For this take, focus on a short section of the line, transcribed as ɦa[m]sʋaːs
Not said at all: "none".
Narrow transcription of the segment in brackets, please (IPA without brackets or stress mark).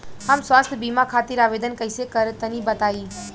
m